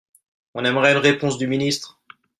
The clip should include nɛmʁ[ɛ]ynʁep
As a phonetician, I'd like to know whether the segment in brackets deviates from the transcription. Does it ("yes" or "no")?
no